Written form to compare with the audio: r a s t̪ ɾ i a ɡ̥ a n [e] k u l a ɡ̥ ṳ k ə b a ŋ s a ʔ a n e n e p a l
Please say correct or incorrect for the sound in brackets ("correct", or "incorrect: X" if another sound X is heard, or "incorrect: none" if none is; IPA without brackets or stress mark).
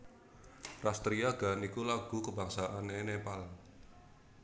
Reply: incorrect: i